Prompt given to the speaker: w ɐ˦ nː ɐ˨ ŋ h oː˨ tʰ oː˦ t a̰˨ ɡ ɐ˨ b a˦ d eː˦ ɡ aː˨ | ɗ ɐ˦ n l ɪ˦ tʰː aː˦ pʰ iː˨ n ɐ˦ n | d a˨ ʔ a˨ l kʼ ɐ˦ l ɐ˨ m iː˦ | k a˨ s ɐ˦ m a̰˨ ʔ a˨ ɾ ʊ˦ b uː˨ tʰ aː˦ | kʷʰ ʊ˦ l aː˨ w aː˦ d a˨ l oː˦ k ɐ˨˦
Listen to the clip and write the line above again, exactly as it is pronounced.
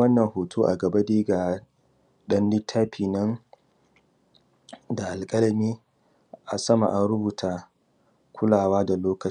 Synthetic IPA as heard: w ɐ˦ nː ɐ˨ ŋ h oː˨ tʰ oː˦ ʔ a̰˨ ɡ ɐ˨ b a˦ d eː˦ ɡ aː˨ | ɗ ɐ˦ n l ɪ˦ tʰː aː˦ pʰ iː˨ n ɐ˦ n | d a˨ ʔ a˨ l kʼ ɐ˦ l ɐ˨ m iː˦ | ʔ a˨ s ɐ˦ m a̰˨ ʔ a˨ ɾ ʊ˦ b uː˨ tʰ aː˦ | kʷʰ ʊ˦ l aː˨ w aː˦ d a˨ l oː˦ k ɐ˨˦